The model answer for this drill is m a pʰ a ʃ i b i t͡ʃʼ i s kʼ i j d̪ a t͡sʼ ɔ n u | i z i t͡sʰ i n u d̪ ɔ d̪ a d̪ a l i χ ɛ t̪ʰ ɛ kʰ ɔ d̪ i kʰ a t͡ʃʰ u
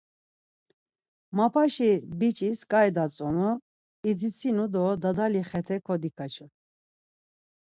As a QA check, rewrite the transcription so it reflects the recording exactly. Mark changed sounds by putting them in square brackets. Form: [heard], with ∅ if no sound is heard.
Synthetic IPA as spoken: m a pʰ a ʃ i b i t͡ʃʼ i s kʼ [a] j d̪ a t͡sʼ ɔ n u | i [d͡z] i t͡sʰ i n u d̪ ɔ d̪ a d̪ a l i χ ɛ t̪ʰ ɛ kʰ ɔ d̪ i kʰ a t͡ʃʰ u